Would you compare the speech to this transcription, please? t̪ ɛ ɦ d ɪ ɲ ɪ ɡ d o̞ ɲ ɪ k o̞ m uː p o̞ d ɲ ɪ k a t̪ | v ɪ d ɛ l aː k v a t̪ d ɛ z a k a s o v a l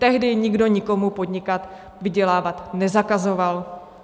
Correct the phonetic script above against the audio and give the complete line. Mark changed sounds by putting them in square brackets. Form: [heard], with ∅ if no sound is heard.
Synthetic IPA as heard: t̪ ɛ ɦ d ɪ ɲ ɪ ɡ d o̞ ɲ ɪ k o̞ m [u] p o̞ d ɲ ɪ k a t̪ | v ɪ [ɟ] ɛ l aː [∅] v a t̪ [n] ɛ z a k a [z] o v a l

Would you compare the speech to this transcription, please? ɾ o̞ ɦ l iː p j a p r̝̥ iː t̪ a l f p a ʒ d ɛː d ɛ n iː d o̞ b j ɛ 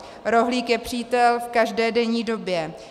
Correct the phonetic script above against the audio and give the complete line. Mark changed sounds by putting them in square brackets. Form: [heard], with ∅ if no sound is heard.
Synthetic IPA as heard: ɾ o̞ ɦ l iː [k] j [ɛ] p r̝̥ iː t̪ [ɛ] l f [k] a ʒ d ɛː d ɛ [ɲ] iː d o̞ b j ɛ

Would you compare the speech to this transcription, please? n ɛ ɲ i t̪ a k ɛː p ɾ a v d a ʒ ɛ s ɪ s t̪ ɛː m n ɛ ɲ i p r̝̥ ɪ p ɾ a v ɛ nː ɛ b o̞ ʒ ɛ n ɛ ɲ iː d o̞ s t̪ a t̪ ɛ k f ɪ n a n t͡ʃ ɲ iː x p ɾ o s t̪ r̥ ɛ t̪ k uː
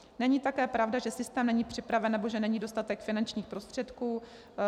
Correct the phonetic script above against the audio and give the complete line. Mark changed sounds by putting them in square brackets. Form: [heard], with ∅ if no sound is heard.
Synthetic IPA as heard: n ɛ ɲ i t̪ a k ɛː p ɾ a v d a ʒ ɛ s ɪ s t̪ ɛː m n ɛ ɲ i p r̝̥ ɪ p ɾ a v ɛ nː ɛ b o̞ ʒ ɛ n ɛ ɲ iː d o̞ s t̪ a t̪ ɛ k f ɪ n a n t͡ʃ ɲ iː x p ɾ o s t̪ r̥ ɛ t̪ k uː

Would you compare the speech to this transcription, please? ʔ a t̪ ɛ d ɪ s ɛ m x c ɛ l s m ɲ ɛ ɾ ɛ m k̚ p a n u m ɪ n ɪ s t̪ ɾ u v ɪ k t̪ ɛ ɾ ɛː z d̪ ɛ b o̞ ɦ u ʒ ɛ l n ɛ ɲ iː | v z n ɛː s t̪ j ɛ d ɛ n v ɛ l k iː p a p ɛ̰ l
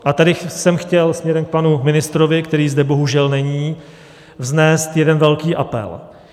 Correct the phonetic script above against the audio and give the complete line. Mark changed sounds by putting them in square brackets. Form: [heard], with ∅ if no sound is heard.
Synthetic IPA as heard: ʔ a t̪ [a] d ɪ s ɛ m x c ɛ l s m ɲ ɛ ɾ ɛ m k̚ p a n u m ɪ n ɪ s t̪ ɾ [o] v ɪ k t̪ ɛ ɾ [iː] z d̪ ɛ b o̞ ɦ u ʒ ɛ l n ɛ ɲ iː | v z n ɛː s t̪ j ɛ d ɛ n v ɛ l k iː [ʔ] a p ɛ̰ l

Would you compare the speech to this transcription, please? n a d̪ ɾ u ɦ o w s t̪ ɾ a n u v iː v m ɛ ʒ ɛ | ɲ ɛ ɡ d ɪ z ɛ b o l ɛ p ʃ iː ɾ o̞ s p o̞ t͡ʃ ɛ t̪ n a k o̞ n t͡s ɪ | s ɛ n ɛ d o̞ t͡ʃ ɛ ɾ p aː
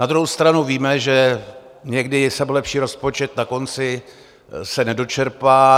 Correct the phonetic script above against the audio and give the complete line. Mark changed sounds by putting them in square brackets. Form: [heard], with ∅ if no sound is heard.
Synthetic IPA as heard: n a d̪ ɾ u ɦ o w s t̪ ɾ a n u v iː [∅] m ɛ ʒ ɛ | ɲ ɛ ɡ d ɪ [s] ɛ b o l ɛ p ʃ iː ɾ o̞ s p o̞ t͡ʃ ɛ t̪ n a k o̞ n t͡s ɪ | s ɛ n ɛ d o̞ t͡ʃ ɛ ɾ p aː

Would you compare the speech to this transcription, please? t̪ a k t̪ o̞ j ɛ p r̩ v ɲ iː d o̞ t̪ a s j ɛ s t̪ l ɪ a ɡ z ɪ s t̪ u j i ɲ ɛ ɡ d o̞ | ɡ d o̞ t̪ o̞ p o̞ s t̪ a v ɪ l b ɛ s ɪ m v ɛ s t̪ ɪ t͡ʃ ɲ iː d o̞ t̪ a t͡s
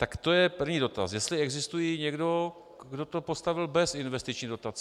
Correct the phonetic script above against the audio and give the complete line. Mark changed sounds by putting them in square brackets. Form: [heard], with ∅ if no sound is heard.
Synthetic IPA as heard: t̪ a k t̪ o̞ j ɛ p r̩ v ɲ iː d o̞ t̪ a s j ɛ s t̪ l ɪ [ɛ] ɡ z ɪ s t̪ u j i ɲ ɛ ɡ d o̞ | ɡ d o̞ t̪ o̞ p o̞ s t̪ a v ɪ l b ɛ s ɪ [n] v ɛ s t̪ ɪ t͡ʃ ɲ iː d o̞ t̪ a t͡s

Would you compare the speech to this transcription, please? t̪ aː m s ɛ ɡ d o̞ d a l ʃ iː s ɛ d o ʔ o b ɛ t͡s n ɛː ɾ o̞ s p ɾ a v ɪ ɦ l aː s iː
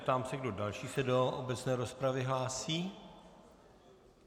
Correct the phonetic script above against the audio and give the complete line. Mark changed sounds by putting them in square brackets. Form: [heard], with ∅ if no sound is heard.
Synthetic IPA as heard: t̪ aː m s ɛ ɡ d o̞ d a l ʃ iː s ɛ d o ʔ o b ɛ t͡s n ɛː ɾ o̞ s p ɾ a v ɪ ɦ l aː s iː

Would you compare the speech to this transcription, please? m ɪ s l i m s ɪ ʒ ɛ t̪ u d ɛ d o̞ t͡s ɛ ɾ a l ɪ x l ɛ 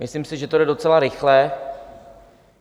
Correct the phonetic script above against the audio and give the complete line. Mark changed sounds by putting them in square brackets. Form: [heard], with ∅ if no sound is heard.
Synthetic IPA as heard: m ɪ s l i m s ɪ ʒ ɛ t̪ [o] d ɛ d o̞ t͡s ɛ [l] a [ɾ] ɪ x l ɛ

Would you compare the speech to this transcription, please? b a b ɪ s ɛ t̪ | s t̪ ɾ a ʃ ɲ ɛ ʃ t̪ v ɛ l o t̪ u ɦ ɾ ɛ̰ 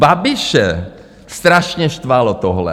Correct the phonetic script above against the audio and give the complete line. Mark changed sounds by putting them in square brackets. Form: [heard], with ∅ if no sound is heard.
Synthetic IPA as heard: b a b ɪ [ʃ] ɛ [∅] | s t̪ ɾ a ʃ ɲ ɛ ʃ t̪ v [a] l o t̪ [o] ɦ [l] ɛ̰

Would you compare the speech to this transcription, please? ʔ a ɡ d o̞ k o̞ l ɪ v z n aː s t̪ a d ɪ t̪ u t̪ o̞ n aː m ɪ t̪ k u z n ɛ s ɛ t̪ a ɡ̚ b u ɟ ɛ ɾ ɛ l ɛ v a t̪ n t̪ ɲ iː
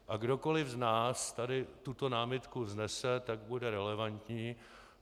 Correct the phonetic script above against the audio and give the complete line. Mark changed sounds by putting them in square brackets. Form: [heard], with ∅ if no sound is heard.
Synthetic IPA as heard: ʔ a ɡ d o̞ k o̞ l ɪ v z n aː s t̪ a d ɪ t̪ u t̪ o̞ n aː m ɪ t̪ k u z n ɛ s ɛ t̪ a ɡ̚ b u [d] ɛ ɾ ɛ l ɛ v a [∅] n t̪ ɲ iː

